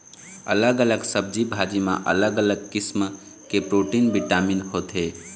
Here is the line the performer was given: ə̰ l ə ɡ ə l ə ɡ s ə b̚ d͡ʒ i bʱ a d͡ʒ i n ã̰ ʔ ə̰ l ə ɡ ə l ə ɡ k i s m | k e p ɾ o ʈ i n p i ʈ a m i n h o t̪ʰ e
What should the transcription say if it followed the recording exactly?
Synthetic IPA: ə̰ l ə ɡ ə l ə ɡ s ə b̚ d͡ʒ i bʱ a d͡ʒ i m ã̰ ʔ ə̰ l ə ɡ ə l ə ɡ k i s m | k e p ɾ o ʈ i n b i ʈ a m i n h o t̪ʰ e